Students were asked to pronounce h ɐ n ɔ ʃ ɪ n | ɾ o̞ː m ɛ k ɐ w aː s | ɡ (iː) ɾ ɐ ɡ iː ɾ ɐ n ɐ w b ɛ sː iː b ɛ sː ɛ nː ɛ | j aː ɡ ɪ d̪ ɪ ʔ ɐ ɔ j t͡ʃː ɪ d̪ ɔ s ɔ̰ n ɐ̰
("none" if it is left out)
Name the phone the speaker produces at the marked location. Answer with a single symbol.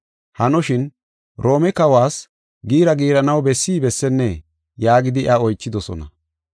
iː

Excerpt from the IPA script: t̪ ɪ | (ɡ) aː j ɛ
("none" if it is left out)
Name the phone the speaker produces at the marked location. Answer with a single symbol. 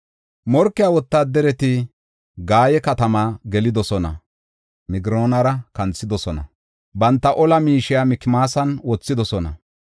ɡ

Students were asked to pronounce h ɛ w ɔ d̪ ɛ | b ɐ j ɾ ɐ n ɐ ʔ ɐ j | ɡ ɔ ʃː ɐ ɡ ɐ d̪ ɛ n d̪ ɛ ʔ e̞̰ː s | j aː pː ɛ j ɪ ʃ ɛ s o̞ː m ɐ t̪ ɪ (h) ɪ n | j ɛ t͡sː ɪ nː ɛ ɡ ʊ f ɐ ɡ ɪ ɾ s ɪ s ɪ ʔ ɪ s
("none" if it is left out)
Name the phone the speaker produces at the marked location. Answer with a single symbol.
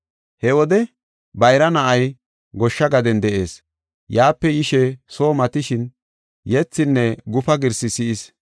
ʃ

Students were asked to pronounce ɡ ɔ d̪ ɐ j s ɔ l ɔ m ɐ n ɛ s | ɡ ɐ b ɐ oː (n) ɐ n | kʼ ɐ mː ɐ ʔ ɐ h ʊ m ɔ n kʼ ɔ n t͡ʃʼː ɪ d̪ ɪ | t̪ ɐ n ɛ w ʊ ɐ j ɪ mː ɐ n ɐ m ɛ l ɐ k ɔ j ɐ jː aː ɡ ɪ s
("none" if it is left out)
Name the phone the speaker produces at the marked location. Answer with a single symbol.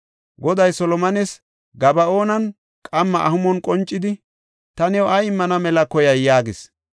n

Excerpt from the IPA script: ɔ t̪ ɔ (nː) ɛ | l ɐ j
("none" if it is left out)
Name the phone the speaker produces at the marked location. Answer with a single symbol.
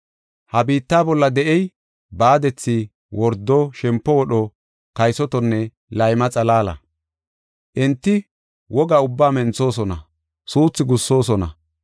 nː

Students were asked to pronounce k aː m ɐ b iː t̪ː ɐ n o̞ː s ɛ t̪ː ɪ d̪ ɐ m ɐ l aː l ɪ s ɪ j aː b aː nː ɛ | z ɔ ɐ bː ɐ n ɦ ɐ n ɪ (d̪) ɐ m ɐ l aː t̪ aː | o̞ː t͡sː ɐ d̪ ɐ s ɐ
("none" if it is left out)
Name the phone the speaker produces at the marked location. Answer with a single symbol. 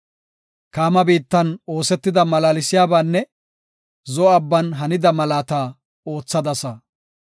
d̪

